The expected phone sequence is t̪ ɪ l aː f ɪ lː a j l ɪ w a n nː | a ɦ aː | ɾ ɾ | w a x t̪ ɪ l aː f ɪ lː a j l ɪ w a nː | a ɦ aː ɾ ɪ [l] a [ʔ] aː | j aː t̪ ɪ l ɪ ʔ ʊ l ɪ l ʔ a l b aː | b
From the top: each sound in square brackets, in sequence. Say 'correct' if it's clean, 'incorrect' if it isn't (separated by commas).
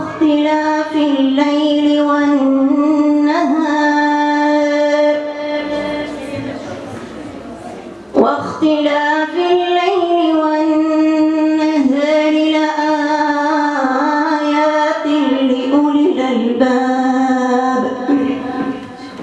correct, correct